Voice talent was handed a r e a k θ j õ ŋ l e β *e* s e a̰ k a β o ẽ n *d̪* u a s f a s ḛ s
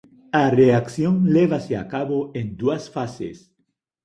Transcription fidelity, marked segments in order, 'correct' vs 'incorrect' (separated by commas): incorrect, correct